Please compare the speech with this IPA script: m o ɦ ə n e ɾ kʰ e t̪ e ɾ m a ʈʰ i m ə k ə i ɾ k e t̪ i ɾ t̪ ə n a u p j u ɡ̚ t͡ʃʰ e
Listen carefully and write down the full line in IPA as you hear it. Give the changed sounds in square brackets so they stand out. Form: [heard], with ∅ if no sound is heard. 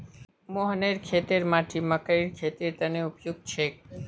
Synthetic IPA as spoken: m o ɦ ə n e ɾ kʰ e t̪ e ɾ m a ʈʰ i m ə k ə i ɾ [kʰ] e t̪ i ɾ t̪ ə n [e] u p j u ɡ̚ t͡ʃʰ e